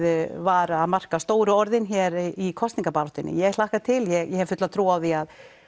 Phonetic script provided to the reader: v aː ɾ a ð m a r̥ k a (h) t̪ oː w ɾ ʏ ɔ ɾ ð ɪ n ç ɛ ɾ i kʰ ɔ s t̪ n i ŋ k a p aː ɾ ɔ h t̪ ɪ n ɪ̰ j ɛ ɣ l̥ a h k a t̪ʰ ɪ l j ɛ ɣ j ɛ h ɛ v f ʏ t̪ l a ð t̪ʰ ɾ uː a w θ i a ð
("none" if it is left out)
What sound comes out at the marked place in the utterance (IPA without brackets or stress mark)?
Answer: s